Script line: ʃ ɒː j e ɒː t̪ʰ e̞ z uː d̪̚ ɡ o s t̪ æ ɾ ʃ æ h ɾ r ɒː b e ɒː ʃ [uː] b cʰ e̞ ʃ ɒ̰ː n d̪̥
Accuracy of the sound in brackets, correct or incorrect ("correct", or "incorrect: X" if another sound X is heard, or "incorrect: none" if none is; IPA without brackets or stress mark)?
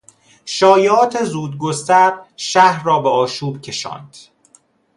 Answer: correct